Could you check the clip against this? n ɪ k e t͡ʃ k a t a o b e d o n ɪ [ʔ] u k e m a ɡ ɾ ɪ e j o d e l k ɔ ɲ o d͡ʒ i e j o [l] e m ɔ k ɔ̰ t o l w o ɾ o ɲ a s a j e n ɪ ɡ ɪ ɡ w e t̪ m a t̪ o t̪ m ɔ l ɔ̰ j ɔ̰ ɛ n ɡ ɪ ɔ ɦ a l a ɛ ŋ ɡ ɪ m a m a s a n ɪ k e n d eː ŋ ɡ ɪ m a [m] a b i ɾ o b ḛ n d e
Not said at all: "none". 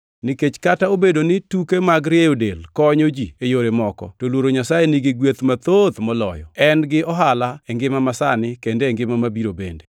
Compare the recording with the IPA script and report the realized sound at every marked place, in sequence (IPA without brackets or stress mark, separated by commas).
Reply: t, ɾ, m